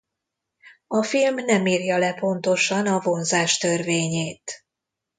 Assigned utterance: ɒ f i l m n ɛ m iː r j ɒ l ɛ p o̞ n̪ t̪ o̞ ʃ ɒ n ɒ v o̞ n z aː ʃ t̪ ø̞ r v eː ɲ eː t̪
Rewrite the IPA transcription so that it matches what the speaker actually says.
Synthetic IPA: ɒ f i l m n ɛ m iː r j ɒ l ɛ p o̞ n̪ t̪ o̞ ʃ ɒ n ɒ v o̞ n z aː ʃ t̪ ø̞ r v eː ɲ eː t̪